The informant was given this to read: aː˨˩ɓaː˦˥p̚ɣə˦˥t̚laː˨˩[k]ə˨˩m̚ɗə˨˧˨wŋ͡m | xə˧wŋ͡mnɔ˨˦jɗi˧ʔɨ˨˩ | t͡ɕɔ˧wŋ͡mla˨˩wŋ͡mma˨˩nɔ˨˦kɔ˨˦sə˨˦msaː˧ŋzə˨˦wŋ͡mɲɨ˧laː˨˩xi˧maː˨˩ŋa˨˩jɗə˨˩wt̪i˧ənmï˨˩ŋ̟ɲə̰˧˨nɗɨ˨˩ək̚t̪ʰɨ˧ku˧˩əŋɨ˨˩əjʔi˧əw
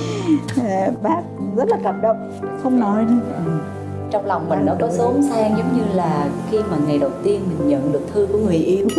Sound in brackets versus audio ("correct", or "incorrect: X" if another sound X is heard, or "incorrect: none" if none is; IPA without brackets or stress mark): correct